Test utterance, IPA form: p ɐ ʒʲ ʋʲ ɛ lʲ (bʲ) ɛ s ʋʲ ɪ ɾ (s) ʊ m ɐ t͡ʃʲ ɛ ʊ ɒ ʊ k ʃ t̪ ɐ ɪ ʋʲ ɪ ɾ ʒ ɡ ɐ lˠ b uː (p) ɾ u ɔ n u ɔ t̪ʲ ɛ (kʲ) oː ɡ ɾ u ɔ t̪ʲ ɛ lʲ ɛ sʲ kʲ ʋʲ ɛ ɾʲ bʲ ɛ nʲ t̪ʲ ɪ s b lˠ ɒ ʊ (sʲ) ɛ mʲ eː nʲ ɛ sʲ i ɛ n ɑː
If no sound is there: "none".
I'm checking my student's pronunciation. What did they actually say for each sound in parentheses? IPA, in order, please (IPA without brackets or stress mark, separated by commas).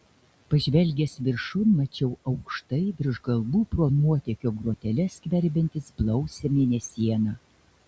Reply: ɡʲ, ʃ, p, kʲ, sʲ